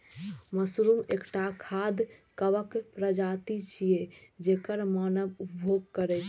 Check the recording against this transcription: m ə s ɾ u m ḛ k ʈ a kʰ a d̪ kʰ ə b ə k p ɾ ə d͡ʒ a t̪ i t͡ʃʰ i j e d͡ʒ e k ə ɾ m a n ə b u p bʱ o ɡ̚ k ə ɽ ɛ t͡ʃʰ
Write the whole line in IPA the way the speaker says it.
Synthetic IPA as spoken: m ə s ɾ u m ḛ k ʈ a kʰ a d̪ k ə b ə k p ɾ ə d͡ʒ a t̪ i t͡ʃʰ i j e d͡ʒ e k ə ɾ m a n ə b u p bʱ o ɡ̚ k ə ɾ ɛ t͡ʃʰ